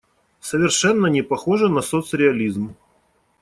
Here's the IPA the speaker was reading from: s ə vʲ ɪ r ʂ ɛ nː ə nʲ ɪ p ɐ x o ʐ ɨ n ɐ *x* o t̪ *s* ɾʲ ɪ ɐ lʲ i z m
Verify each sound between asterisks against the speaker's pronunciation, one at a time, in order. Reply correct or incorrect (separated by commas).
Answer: incorrect, correct